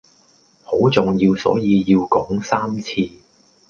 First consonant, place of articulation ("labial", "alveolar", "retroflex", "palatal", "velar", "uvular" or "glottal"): glottal